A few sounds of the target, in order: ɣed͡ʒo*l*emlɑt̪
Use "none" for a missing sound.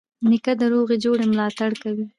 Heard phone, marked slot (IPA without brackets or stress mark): ɽ